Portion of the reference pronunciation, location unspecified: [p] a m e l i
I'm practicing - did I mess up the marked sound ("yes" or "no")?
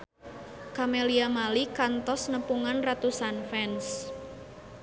yes